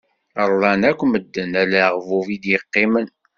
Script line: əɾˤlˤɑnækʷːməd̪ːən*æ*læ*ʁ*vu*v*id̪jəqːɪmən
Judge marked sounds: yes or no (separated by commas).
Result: yes, yes, yes